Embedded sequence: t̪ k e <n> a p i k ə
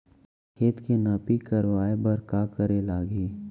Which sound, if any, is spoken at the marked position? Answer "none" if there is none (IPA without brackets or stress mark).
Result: n